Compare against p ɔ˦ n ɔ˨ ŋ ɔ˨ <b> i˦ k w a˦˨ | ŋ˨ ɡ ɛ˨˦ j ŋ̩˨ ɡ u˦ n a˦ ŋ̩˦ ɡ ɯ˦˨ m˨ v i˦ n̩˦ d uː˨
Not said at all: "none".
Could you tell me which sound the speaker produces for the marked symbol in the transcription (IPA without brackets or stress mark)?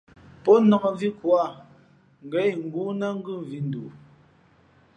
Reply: v